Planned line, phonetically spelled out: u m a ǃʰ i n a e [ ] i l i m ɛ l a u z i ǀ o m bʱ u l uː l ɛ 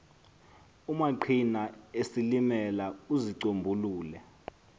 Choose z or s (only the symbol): s